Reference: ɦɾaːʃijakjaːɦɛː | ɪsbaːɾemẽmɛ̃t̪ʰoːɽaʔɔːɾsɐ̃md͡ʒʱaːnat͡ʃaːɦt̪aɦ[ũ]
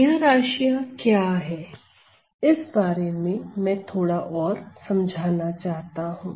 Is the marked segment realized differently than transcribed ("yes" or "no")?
yes